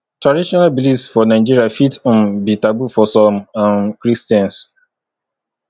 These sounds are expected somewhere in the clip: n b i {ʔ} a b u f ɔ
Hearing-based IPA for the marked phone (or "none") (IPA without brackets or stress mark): t